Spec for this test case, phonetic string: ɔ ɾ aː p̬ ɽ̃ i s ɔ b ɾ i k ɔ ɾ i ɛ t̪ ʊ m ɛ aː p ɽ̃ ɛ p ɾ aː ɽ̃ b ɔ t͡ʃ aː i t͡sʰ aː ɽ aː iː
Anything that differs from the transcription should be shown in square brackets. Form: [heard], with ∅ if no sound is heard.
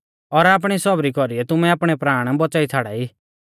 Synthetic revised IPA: ɔ ɾ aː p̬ ɽ̃ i s ɔ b ɾ i k ɔ ɾ i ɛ t̪ ʊ m ɛ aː p ɽ̃ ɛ p ɾ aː ɽ̃ b ɔ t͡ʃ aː i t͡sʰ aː ɽ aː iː